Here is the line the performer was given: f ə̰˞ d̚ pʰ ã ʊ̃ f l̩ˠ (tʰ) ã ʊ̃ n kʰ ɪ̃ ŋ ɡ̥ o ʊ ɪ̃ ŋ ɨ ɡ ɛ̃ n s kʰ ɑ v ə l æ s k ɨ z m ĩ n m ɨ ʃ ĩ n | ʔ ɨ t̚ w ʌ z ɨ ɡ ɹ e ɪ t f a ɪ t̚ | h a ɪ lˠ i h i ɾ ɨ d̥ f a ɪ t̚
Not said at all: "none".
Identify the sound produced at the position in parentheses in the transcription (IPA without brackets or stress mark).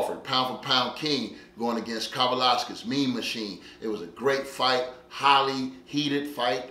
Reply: pʰ